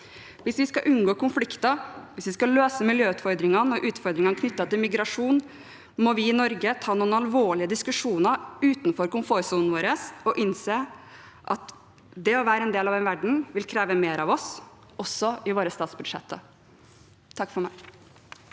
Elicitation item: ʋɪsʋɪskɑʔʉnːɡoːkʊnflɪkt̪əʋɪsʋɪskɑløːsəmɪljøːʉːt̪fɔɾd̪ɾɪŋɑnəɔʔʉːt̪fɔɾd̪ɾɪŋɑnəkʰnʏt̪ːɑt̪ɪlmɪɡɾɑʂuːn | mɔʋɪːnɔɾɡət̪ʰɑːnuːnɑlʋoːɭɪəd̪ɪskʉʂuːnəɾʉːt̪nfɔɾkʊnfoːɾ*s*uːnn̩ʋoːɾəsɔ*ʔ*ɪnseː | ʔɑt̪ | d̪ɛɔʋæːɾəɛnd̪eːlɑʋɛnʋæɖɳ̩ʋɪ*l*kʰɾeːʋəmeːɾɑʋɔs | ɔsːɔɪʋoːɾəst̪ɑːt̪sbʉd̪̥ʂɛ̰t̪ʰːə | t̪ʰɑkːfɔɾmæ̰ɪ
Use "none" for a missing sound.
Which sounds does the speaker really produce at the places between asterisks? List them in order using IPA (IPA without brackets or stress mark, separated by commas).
s, ʔ, l